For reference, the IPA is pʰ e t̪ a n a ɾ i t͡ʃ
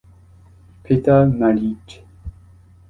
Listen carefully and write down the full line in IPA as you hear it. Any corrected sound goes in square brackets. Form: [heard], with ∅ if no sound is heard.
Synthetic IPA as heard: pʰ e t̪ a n a [l] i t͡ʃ